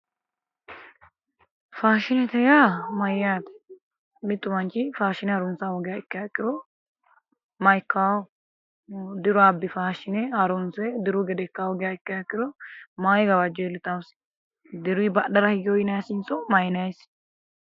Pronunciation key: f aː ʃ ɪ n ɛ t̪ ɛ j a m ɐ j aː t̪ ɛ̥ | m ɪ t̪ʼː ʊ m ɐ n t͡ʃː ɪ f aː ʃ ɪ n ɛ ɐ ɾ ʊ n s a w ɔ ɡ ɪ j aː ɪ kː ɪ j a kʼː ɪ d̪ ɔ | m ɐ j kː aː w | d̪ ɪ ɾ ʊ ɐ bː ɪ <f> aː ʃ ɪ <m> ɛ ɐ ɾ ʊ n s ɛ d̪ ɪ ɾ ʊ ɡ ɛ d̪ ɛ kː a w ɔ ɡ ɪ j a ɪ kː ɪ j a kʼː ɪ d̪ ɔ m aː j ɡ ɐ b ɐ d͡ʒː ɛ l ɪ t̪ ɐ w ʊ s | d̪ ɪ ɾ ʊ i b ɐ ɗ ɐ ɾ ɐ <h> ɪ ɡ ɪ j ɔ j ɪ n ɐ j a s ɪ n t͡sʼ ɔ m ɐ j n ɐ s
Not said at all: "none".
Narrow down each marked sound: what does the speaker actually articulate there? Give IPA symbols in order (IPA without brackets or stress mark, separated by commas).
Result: f, n, h